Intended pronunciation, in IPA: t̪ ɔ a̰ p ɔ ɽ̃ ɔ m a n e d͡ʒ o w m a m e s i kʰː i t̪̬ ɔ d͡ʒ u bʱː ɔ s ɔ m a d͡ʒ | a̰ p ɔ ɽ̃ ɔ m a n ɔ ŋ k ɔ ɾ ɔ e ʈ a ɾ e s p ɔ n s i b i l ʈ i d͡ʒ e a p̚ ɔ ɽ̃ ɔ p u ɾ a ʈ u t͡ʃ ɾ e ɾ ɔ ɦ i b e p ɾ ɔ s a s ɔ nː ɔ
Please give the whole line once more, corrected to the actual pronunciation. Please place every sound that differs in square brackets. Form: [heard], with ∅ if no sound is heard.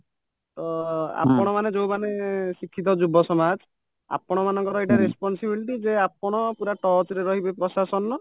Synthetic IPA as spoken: t̪ ɔ a̰ p ɔ ɽ̃ ɔ m a n e d͡ʒ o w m a [n] e s i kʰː i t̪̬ ɔ d͡ʒ u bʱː ɔ s ɔ m a d͡ʒ | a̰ p ɔ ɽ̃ ɔ m a n ɔ ŋ k ɔ ɾ ɔ e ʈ a ɾ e s p ɔ n s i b i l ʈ i d͡ʒ e a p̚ ɔ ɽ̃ ɔ p u ɾ a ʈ [ɔ] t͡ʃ ɾ e ɾ ɔ ɦ i b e p ɾ ɔ s a s ɔ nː ɔ